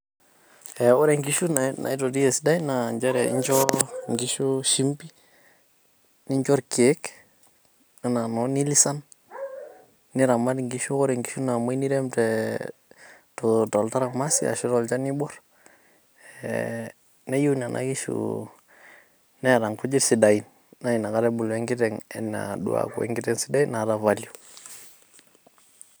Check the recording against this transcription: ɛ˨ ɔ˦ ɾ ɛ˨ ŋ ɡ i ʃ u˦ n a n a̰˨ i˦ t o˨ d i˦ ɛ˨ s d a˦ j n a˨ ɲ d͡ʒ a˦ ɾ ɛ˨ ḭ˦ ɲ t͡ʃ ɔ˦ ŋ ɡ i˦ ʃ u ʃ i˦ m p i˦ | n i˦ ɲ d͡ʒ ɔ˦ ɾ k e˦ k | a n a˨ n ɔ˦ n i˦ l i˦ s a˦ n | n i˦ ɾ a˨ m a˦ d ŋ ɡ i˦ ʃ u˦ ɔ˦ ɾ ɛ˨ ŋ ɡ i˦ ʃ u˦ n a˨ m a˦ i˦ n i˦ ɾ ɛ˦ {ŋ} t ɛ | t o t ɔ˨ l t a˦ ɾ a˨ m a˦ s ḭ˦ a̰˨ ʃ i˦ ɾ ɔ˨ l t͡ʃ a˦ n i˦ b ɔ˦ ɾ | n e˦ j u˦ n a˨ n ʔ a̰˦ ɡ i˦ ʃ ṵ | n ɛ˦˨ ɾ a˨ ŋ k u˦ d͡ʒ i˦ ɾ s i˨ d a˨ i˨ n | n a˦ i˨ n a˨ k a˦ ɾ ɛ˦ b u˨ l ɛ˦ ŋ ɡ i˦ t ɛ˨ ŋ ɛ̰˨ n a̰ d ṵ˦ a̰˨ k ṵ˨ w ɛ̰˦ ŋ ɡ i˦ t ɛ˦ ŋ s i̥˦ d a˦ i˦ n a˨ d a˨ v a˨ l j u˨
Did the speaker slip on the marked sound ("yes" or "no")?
yes